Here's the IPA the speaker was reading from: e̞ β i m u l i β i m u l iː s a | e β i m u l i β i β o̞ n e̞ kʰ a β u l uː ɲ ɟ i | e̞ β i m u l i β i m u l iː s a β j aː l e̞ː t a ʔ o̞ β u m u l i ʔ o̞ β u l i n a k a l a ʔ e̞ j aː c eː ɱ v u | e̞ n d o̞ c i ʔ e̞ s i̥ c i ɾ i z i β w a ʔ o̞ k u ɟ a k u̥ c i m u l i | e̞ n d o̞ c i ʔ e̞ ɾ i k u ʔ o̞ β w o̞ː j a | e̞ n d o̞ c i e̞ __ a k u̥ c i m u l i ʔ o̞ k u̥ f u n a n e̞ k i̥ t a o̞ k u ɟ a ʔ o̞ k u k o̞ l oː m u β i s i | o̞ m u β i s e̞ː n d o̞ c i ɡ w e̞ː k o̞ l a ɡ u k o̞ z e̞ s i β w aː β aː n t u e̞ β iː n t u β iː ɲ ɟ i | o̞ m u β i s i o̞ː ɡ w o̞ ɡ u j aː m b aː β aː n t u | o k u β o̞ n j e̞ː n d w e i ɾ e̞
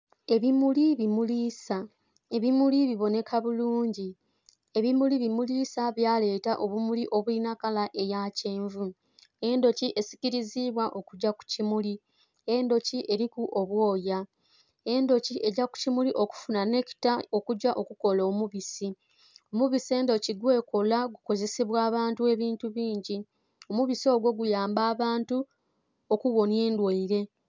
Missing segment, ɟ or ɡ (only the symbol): ɟ